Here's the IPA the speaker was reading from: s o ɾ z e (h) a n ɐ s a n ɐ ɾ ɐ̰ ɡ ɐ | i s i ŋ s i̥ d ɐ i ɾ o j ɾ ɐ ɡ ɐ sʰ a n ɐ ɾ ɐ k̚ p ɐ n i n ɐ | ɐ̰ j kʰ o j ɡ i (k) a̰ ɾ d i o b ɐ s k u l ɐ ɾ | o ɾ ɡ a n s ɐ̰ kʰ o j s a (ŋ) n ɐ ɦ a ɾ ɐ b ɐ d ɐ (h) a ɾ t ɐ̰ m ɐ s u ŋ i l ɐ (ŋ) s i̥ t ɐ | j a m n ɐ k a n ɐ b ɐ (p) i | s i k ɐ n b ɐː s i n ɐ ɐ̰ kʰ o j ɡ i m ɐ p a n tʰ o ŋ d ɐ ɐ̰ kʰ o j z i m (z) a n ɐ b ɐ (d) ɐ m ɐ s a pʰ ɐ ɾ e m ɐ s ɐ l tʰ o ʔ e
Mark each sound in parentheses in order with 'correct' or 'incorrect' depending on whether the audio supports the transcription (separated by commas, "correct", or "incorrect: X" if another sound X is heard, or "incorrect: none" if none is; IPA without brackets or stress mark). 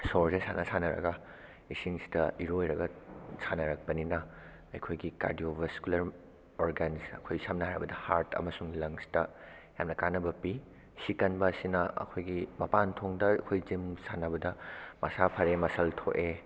incorrect: s, correct, incorrect: m, correct, correct, correct, incorrect: s, correct